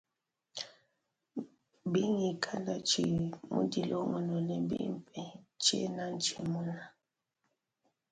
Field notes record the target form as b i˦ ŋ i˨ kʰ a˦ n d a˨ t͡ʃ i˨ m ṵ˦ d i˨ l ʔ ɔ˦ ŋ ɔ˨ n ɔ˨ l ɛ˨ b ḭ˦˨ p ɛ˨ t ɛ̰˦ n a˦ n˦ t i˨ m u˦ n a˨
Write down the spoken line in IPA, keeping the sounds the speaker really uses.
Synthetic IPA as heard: b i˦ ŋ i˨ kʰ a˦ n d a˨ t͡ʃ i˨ m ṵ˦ d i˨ l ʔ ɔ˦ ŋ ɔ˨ n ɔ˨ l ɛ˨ b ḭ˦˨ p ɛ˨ t͡ʃ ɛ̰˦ n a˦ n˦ t͡ʃ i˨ m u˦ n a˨